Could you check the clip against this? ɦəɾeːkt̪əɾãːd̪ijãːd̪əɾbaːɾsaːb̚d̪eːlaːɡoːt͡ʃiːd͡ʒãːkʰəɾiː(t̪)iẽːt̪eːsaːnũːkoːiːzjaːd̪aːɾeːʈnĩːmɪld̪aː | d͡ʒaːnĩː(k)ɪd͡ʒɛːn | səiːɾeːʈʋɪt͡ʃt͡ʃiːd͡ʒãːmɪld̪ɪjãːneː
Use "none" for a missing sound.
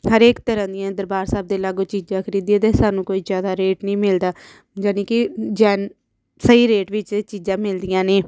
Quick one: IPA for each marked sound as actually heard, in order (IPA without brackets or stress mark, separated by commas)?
d̪, k